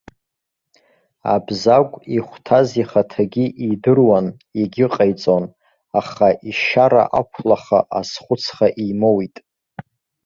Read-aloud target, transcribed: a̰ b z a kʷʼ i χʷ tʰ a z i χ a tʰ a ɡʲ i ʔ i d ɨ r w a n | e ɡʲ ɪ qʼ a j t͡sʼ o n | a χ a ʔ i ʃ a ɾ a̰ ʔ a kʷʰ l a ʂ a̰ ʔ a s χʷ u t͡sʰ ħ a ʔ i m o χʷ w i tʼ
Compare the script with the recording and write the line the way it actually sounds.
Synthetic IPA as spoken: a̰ b z a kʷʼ i χʷ tʰ a z i χ a tʰ a ɡʲ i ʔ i d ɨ r w a n | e ɡʲ ɪ qʼ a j t͡sʼ o n | a χ a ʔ i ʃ a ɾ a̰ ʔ a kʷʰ l a χ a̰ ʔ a s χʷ ʊ t͡sʰ χ a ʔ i m o w i tʼ